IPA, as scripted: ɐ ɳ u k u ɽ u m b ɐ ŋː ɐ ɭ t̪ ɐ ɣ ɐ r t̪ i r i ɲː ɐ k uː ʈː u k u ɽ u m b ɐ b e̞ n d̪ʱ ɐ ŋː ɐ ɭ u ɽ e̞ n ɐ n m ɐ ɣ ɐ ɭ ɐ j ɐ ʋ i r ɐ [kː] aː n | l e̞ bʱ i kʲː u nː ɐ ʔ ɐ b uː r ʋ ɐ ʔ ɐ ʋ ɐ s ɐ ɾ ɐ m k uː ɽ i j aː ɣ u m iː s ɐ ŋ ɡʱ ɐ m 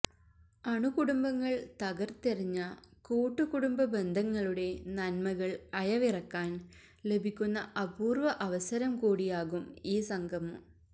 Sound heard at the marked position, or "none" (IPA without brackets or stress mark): kː